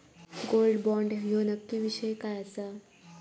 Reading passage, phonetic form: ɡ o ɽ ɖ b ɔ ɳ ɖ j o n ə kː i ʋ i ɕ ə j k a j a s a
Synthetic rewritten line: ɡ o l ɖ b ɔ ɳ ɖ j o n ə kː i ʋ i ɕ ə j k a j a s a

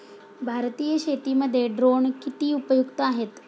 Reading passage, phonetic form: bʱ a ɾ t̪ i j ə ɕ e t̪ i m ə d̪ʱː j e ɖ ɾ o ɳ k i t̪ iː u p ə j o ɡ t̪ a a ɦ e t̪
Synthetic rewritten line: bʱ a ɾ t̪ i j ə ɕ e t̪ i m ə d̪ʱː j e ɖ ɾ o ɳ k i t̪ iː u p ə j u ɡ t̪ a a ɦ e t̪

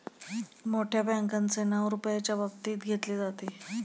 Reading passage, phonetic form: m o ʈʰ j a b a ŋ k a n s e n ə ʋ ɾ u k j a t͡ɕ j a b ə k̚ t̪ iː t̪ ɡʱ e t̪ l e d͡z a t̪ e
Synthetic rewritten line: m o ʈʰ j a b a ŋ k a n t͡s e n ə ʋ ɾ u p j a t͡ɕ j a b ə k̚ t̪ iː t̪ ɡʱ e t̪ l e d͡z a t̪ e

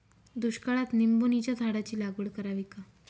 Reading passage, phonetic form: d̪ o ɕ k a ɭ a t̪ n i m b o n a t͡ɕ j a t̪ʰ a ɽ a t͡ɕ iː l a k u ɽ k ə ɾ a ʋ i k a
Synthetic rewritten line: d̪ u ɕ k a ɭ a t̪ n i m b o n i t͡ɕ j a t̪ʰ a ɽ a t͡ɕ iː l a ɡ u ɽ k ə ɾ a ʋ i k a

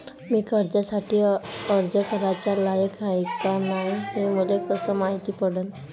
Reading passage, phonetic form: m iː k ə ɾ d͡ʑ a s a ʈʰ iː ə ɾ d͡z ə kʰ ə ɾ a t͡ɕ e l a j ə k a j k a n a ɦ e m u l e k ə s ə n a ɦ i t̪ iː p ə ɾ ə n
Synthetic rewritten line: m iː k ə ɾ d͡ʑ a s a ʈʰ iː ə ɾ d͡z ə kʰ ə ɾ a t͡ɕ a l a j ə k a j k a n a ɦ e m u l e k ə s ə m a ɦ i t̪ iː p ə ɽ ə n

